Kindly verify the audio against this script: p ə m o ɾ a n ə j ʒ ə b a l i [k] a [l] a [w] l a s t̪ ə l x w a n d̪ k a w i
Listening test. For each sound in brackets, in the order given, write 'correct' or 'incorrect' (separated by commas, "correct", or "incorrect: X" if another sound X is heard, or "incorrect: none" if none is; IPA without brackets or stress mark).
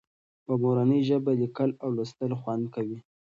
correct, correct, correct